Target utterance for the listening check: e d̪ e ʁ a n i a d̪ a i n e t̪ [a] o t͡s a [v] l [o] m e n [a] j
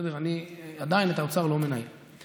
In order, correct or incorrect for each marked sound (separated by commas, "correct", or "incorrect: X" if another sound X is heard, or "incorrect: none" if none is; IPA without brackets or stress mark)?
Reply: correct, incorrect: ʁ, correct, correct